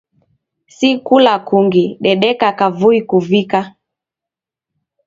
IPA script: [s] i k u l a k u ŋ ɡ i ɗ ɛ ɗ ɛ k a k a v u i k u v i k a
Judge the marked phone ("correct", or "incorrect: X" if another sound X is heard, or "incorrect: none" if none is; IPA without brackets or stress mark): correct